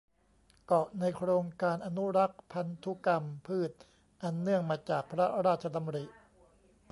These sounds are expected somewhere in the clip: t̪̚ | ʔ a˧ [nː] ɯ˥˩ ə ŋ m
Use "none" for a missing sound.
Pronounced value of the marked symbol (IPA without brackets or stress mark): nː